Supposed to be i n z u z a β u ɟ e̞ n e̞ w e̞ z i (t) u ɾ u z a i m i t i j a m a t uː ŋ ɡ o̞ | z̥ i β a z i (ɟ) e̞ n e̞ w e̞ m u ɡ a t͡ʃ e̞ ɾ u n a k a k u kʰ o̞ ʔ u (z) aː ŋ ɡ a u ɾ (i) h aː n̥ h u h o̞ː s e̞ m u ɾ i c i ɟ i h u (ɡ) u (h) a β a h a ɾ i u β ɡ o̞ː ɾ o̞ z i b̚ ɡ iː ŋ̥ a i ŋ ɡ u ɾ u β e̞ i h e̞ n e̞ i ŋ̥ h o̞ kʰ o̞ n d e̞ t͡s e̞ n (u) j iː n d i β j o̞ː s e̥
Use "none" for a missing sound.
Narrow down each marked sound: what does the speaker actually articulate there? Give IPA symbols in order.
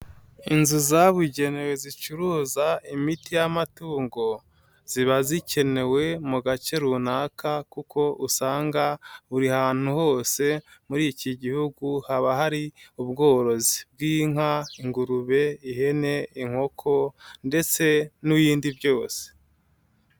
t͡ʃ, c, s, i, ɡ, h, u

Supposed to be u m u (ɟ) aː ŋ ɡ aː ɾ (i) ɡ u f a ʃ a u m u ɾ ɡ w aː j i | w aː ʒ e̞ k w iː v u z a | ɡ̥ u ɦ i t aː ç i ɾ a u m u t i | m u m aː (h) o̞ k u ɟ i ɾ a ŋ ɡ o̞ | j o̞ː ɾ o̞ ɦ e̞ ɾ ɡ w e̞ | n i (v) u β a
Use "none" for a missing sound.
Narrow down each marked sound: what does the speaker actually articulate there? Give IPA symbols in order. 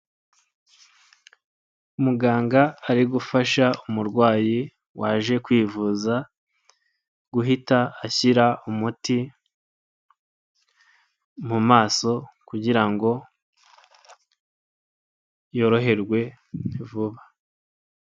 ɡ, i, s, v

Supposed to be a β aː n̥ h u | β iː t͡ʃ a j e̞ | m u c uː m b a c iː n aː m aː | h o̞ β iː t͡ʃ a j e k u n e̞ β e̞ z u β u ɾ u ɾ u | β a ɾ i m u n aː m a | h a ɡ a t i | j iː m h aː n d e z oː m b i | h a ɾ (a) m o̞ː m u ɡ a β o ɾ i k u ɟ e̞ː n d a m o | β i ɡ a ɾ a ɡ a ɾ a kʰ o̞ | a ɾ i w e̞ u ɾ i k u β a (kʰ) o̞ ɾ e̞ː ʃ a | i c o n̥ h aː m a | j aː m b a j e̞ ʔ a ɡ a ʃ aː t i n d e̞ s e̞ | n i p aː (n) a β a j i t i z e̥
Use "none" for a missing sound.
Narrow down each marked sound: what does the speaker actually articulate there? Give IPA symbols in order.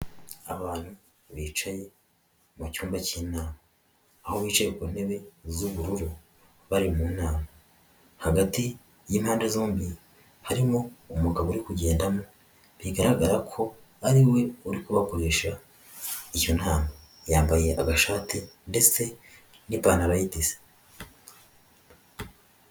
i, k, n

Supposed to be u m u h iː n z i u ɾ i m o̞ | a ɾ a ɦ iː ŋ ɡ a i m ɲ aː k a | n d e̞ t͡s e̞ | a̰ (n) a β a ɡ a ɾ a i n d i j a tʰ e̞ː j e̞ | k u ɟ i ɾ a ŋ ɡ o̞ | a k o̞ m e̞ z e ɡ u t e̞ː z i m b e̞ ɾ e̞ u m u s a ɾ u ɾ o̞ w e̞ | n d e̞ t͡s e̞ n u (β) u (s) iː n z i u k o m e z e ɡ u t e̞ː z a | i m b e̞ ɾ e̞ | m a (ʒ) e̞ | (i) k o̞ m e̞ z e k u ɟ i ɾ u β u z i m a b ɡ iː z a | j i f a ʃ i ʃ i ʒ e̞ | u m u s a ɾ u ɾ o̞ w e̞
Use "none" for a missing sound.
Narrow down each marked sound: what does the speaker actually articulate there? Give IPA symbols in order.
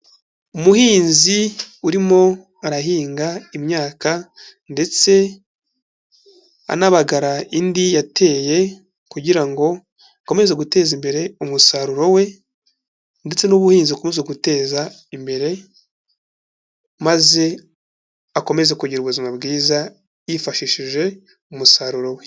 n, β, h, z, a

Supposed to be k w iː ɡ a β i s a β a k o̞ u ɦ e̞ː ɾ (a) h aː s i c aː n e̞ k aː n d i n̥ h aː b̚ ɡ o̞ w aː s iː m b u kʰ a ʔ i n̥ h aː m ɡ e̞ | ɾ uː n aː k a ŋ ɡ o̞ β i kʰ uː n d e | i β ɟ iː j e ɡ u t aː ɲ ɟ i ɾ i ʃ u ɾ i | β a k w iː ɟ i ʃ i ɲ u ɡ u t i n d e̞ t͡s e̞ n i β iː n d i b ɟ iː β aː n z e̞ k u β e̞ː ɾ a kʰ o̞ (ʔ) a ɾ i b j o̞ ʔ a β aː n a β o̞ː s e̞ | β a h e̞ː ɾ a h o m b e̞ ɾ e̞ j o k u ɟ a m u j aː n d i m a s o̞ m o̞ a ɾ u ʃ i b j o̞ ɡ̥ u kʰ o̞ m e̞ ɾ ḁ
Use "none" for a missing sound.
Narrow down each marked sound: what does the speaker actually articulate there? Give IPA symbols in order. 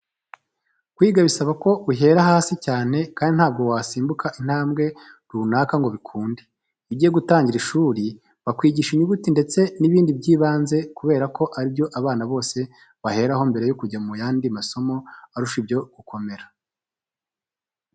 a, ʔ

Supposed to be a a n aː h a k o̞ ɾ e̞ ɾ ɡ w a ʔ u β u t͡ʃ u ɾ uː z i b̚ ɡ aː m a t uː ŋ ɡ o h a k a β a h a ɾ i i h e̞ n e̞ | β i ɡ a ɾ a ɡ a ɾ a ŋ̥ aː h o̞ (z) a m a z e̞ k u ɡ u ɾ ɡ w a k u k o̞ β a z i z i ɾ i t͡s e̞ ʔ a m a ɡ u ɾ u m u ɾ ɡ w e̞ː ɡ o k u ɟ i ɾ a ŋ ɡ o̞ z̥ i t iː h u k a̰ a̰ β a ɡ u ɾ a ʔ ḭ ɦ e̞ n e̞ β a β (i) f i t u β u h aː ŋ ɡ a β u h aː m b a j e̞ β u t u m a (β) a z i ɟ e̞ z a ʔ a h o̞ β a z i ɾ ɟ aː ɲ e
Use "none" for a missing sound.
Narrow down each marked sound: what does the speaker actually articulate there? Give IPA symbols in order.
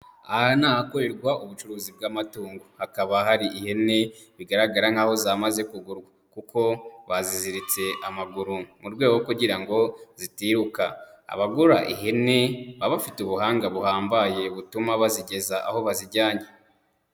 z, a, β

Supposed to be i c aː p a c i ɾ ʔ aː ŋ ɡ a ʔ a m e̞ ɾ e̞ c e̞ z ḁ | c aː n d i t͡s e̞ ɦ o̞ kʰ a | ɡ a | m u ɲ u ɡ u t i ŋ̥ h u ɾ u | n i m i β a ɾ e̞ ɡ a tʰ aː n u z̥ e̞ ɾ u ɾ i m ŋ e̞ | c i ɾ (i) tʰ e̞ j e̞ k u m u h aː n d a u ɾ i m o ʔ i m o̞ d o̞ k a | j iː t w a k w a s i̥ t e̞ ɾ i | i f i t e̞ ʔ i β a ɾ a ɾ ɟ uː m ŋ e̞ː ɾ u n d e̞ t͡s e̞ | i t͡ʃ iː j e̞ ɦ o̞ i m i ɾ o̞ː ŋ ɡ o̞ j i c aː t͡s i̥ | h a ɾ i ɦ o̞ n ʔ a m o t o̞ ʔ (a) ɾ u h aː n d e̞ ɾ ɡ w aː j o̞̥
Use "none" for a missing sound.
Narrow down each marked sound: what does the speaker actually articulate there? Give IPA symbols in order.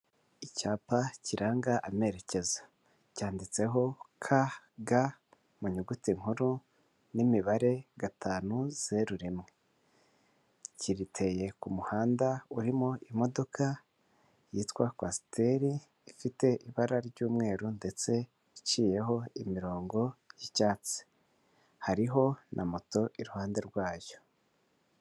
i, i

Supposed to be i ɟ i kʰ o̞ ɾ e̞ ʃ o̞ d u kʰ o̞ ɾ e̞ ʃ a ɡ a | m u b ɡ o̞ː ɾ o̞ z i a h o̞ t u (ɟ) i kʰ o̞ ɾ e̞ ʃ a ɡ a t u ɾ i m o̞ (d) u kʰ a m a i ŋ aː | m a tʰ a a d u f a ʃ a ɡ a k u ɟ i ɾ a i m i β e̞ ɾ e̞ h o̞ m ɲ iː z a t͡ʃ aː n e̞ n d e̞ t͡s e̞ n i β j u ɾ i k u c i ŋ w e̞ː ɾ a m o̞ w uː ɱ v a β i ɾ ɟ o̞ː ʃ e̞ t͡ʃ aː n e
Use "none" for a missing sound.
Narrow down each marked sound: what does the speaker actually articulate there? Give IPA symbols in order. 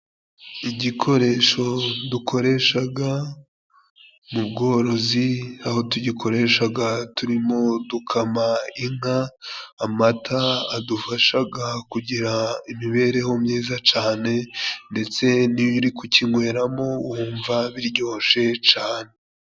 ɟ, d

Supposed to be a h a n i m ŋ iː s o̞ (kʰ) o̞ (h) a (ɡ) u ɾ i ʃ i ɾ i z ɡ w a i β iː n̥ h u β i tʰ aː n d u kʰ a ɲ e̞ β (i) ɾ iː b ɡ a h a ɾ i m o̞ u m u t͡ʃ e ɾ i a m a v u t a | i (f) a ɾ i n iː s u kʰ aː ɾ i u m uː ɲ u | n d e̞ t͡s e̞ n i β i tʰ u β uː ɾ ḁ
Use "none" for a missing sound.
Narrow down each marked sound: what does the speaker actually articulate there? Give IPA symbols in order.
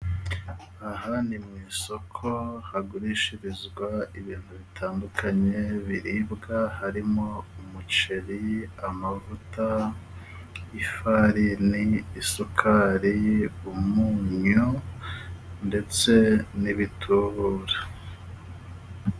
kʰ, h, ɡ, i, f

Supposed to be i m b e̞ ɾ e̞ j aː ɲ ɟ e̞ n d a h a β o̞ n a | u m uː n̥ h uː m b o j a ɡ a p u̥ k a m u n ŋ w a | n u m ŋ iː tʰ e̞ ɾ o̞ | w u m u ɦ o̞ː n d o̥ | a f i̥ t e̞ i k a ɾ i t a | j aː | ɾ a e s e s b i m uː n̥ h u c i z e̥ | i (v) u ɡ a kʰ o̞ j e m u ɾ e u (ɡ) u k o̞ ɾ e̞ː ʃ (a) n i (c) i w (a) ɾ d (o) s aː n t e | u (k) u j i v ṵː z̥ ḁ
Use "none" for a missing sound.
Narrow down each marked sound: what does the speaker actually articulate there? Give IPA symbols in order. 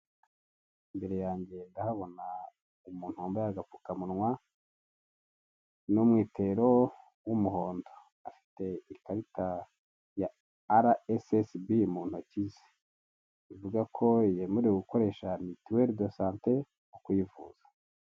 v, ɡ, a, t, e, o, k

